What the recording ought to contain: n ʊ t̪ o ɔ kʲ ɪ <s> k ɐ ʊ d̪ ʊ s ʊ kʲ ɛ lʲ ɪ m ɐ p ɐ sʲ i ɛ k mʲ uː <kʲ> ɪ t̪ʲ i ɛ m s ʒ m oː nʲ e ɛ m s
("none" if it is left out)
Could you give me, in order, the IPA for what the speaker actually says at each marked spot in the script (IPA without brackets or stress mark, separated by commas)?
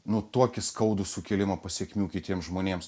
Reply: s, kʲ